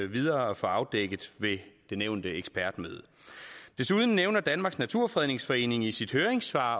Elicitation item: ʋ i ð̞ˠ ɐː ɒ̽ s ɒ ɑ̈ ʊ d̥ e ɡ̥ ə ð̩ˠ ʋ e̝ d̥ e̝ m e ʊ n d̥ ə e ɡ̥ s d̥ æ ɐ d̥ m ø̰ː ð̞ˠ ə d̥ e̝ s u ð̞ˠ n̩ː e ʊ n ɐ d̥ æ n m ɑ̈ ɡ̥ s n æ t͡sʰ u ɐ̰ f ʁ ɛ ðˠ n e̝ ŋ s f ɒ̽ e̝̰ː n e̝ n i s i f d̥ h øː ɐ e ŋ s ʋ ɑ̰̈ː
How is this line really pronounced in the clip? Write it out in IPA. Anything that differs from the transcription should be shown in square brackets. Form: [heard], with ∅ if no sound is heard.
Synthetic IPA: ʋ i ð̞ˠ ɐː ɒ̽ [f] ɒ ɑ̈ ʊ d̥ e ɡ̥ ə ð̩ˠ ʋ e̝ d̥ e̝ [n] e ʊ n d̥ ə e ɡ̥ s [b̥] æ ɐ d̥ m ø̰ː ð̞ˠ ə d̥ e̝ s u ð̞ˠ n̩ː e ʊ n ɐ d̥ æ n m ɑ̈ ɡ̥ s n æ t͡sʰ u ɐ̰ f ʁ ɛ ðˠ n e̝ ŋ s f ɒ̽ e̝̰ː n e̝ [ŋ] i s i [∅] d̥ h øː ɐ e ŋ s ʋ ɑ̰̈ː